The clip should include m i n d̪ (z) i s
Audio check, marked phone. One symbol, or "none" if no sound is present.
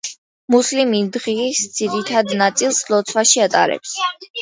ʁ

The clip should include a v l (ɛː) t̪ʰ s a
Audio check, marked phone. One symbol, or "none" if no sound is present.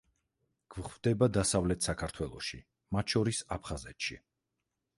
ɛ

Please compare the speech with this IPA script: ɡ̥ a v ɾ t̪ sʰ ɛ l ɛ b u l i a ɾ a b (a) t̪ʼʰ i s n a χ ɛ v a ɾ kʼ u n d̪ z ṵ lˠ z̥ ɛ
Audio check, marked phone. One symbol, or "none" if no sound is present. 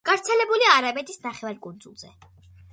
ɛ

